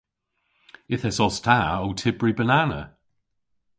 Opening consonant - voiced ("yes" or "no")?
no